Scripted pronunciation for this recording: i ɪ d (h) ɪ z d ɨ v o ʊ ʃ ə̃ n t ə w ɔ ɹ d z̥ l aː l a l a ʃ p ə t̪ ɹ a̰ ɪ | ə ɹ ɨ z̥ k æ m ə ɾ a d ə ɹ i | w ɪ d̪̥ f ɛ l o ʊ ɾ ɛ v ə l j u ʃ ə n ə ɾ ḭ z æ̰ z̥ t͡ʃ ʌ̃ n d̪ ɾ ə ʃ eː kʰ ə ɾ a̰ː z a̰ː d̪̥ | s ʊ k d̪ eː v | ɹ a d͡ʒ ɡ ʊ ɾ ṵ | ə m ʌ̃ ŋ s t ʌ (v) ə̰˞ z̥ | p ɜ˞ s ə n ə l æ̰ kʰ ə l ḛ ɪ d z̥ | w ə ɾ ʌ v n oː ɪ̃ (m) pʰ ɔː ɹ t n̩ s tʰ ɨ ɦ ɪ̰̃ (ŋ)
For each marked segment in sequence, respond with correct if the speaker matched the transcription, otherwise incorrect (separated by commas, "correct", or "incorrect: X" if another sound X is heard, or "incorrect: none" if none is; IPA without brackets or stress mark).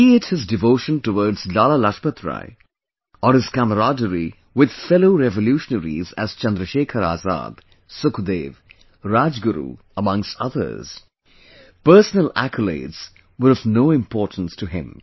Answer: correct, incorrect: ð, correct, incorrect: m